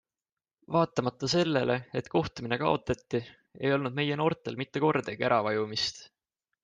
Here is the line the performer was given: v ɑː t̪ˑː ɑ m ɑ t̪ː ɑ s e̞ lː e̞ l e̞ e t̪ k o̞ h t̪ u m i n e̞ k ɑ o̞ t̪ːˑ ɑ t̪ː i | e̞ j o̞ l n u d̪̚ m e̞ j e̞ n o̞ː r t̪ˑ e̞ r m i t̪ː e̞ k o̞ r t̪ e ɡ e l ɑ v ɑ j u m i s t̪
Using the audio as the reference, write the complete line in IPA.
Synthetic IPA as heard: v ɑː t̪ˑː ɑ m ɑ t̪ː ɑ s e̞ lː e̞ l e̞ e t̪ k o̞ h t̪ u m i n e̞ k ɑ o̞ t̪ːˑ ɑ t̪ː i | e̞ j o̞ l n u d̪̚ m e̞ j e̞ n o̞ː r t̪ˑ e̞ l m i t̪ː e̞ k o̞ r d̪ e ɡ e ɾ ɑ v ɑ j u m i s t̪

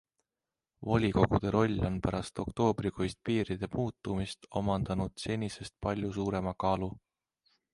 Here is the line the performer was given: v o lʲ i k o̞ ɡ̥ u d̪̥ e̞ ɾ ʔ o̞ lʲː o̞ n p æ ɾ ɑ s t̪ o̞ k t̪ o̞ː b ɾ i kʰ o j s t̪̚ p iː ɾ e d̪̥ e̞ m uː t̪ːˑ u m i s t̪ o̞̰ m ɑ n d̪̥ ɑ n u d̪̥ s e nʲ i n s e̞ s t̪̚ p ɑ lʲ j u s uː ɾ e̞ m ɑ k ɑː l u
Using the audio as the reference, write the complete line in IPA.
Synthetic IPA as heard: v o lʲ i k o̞ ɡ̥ u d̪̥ e̞ ɾ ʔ o̞ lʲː o̞ n p æ ɾ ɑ s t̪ o̞ k t̪ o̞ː b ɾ i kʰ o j s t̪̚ p iː ɾ i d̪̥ e̞ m uː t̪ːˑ u m i s t̪ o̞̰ m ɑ n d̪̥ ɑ n u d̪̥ s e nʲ i s e̞ s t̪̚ p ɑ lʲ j u s uː ɾ e̞ m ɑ k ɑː l u

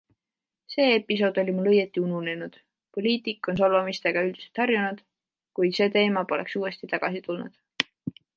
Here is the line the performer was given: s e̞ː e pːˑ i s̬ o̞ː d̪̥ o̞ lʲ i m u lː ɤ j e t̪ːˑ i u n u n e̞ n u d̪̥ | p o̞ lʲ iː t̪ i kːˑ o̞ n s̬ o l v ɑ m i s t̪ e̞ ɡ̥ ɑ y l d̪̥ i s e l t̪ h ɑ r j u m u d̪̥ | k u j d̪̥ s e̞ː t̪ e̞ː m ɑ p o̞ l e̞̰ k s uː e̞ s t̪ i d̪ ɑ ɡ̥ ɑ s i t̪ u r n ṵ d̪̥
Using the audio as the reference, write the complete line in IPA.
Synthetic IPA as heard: s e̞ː e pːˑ i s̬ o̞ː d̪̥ o̞ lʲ i m u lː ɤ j e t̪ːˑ i u n u n e̞ n u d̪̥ | p o̞ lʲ iː t̪ i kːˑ o̞ n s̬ o l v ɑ m i s t̪ e̞ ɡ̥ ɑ y l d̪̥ i s e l t̪ h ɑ r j u n u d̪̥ | k u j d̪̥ s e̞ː t̪ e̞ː m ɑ p o̞ l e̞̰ k s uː e̞ s t̪ i t̪ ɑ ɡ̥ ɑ s i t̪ u l n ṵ d̪̥

